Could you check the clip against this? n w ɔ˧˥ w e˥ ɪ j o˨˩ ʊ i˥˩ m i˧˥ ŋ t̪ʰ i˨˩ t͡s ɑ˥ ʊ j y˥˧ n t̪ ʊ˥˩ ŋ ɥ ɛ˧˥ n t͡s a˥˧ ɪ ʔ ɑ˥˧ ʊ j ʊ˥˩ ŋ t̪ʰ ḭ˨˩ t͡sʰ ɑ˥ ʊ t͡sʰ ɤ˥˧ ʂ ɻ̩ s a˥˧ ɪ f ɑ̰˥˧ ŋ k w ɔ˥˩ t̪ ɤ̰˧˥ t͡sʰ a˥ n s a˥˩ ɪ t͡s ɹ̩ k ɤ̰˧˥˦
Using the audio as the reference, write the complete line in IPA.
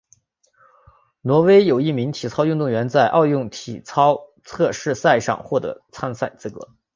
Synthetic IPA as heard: n w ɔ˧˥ w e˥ ɪ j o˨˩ ʊ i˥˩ m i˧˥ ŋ t̪ʰ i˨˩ t͡sʰ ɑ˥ ʊ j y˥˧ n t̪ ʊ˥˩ ŋ ɥ ɛ˧˥ n t͡s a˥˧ ɪ ʔ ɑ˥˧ ʊ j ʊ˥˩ ŋ t̪ʰ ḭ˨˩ t͡sʰ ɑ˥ ʊ t͡sʰ ɤ˥˧ ʂ ɻ̩ s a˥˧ ɪ ʂ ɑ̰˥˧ ŋ x w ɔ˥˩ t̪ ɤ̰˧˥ t͡sʰ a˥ n s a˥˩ ɪ t͡s ɹ̩ k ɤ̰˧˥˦